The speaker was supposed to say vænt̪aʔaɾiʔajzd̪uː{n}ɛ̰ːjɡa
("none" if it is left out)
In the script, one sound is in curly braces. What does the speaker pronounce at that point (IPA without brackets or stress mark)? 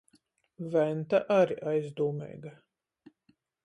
m